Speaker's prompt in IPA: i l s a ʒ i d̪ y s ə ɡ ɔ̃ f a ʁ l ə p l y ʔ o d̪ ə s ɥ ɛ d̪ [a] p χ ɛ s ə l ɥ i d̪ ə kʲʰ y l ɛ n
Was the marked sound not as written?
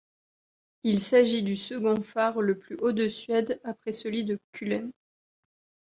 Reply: no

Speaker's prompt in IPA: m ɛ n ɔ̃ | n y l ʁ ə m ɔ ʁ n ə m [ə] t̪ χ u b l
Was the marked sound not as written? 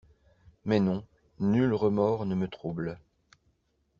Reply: no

